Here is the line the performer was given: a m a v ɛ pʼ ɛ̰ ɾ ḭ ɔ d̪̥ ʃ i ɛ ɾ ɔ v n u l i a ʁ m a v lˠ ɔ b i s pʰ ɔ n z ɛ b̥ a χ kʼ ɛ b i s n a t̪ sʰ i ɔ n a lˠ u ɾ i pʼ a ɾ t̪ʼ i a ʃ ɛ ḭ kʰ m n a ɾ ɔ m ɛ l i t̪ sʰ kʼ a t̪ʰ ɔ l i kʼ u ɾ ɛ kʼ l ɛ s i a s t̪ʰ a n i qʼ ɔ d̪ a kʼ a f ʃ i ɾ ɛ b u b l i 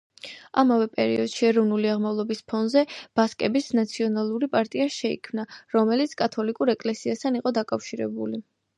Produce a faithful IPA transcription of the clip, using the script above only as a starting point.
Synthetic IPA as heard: a m a v ɛ pʼ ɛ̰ ɾ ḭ ɔ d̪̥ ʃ i ɛ ɾ ɔ v n u l i a ʁ m a v lˠ ɔ b i s pʰ ɔ n z ɛ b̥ a s kʼ ɛ b i s n a t̪ sʰ i ɔ n a lˠ u ɾ i pʼ a ɾ t̪ʼ i a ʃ ɛ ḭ kʰ m n a ɾ ɔ m ɛ l i t̪ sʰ kʼ a t̪ʰ ɔ l i kʼ u ɾ ɛ kʼ l ɛ s i a s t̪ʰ a n i qʼ ɔ d̪ a kʼ a f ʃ i ɾ ɛ b u l i